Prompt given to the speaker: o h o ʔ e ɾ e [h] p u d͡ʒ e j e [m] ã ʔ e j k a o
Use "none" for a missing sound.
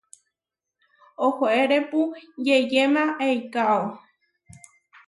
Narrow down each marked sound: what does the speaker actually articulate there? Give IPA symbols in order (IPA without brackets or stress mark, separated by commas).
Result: none, m